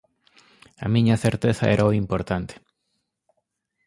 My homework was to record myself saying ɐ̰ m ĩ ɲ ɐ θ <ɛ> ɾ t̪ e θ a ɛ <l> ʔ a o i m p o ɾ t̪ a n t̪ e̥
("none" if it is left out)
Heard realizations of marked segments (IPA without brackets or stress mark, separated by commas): e, ɾ